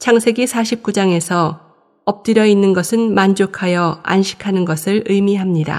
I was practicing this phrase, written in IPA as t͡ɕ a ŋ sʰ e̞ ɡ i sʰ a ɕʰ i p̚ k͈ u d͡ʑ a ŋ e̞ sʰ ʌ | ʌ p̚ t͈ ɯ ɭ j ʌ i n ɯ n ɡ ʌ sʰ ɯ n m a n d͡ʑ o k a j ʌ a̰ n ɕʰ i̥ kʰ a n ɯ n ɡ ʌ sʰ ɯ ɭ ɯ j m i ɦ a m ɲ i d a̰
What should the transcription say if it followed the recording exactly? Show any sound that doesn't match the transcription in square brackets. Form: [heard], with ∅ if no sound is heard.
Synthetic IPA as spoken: [t͡ɕʰ] a ŋ sʰ e̞ ɡ i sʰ a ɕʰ i p̚ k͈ u d͡ʑ a ŋ e̞ sʰ ʌ | ʌ p̚ t͈ ɯ [ɾ] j ʌ i [nː] ɯ n ɡ ʌ sʰ ɯ n m a n d͡ʑ o [kʰ] a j ʌ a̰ n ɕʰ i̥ kʰ a n ɯ n ɡ ʌ sʰ ɯ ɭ ɯ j m i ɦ a m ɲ i d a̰